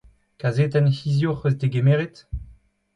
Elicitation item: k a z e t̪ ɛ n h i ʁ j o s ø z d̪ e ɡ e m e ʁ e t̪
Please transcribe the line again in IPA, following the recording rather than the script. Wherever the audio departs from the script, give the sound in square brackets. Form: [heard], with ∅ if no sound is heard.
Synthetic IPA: k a z e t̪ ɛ n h i [z] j o [χ] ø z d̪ e ɡ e m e ʁ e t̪